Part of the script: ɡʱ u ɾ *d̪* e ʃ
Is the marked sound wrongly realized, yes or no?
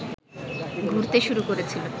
yes